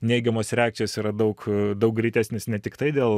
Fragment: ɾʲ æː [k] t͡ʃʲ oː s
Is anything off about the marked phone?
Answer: no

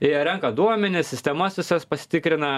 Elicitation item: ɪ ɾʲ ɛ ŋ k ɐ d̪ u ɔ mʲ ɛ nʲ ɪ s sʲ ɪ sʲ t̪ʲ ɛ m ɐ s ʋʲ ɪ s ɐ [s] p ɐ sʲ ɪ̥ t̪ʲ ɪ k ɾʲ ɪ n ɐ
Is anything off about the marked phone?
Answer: no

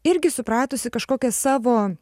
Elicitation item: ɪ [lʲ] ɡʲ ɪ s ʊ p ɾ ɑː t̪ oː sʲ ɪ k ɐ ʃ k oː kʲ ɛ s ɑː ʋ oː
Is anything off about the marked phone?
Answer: yes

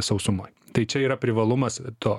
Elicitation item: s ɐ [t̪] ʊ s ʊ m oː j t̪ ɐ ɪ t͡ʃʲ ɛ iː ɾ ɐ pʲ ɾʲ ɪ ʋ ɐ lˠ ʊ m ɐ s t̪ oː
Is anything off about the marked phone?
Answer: yes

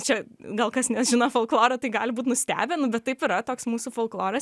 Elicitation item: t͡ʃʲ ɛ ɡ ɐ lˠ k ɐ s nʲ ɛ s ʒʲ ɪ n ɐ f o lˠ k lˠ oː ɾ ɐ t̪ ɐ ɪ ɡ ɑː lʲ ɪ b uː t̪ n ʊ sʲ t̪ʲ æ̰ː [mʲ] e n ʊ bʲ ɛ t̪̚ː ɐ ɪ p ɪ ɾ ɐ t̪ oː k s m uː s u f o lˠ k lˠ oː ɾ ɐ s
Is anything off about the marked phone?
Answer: yes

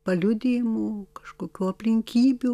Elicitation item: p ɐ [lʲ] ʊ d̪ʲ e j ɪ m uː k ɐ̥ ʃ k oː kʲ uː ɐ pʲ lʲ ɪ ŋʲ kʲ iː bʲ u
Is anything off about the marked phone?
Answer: no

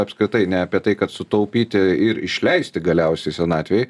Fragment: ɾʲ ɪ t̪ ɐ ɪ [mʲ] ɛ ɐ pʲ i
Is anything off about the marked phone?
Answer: yes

